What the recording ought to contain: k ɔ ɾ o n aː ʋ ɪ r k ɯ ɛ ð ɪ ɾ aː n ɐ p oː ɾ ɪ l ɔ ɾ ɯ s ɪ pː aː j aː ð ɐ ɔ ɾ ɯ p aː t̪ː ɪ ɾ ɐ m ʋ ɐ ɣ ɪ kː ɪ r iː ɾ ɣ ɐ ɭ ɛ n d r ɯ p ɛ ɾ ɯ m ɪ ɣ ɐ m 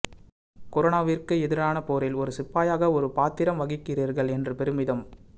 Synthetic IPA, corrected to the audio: k ɔ ɾ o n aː ʋ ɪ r k ɯ ɛ ð ɪ ɾ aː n ɐ p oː ɾ ɪ l ɔ ɾ ɯ s ɪ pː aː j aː ɣ ɐ ɔ ɾ ɯ p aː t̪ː ɪ ɾ ɐ m ʋ ɐ ɣ ɪ kː ɪ r iː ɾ ɣ ɐ ɭ ɛ n d r ɯ p ɛ ɾ ɯ m ɪ ð ɐ m